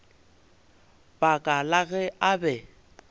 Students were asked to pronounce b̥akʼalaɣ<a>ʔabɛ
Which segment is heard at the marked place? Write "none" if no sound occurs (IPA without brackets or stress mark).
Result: ɛ